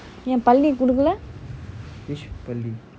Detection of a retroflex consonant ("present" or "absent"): present